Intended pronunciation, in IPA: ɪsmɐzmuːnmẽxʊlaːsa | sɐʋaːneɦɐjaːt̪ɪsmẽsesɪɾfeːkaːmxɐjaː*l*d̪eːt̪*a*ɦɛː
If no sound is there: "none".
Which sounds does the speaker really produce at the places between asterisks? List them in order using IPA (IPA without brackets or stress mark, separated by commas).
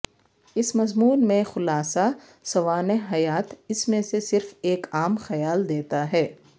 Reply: l, a